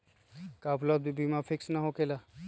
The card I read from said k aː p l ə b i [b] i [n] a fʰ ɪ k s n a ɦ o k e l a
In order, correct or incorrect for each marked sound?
correct, incorrect: m

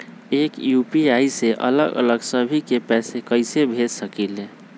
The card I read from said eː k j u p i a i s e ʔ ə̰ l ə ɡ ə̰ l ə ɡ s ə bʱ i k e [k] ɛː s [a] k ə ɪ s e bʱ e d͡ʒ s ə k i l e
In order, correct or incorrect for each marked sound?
incorrect: p, incorrect: e

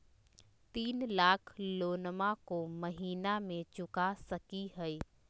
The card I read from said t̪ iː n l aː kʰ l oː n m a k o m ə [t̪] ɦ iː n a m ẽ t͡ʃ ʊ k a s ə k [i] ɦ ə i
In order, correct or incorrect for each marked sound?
incorrect: none, correct

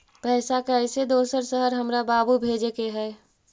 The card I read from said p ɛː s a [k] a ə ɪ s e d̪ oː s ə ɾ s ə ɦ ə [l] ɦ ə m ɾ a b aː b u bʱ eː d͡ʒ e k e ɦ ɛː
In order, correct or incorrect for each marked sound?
correct, incorrect: ɾ

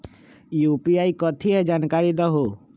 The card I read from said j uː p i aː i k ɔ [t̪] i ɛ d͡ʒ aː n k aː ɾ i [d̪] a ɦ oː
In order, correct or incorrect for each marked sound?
incorrect: t̪ʰ, correct

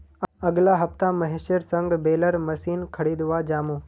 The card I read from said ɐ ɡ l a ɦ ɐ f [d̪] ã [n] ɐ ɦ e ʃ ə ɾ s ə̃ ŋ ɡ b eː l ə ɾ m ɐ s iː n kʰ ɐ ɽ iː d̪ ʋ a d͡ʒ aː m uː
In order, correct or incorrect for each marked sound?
incorrect: t̪, incorrect: m

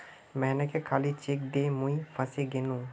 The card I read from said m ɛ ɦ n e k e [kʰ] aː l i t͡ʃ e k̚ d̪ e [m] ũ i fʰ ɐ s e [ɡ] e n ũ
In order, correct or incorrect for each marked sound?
correct, correct, correct

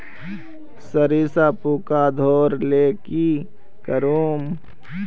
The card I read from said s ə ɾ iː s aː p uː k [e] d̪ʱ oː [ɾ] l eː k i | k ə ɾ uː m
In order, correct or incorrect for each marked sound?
incorrect: a, correct

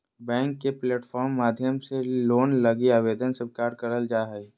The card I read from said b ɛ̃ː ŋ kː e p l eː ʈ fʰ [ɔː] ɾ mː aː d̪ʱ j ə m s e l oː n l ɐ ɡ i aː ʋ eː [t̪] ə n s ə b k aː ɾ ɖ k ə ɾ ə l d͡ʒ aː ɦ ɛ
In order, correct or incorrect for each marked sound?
correct, incorrect: d̪

